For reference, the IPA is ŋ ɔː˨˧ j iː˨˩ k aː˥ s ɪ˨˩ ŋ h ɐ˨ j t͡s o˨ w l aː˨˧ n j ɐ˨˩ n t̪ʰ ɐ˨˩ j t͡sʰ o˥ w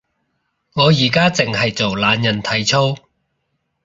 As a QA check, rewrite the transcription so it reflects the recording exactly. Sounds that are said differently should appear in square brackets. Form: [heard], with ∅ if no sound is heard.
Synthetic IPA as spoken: ŋ ɔː˨˧ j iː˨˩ k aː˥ [t͡s] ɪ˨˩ ŋ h ɐ˨ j t͡s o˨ w l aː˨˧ n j ɐ˨˩ n t̪ʰ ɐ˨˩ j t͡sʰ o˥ w